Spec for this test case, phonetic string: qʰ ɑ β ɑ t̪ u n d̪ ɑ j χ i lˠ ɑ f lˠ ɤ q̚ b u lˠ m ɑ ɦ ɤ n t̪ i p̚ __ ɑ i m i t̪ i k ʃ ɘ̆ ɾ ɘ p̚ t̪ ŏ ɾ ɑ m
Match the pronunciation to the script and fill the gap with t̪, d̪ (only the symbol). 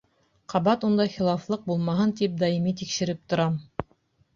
d̪